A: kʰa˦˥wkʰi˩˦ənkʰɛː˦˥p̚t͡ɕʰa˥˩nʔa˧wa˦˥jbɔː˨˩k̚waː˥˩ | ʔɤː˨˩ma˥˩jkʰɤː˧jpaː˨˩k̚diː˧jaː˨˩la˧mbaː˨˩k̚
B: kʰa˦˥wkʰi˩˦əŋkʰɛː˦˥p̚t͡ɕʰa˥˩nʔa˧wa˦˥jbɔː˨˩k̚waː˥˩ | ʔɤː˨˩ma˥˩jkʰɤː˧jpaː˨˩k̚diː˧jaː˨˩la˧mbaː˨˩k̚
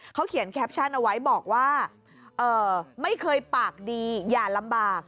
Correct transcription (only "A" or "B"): A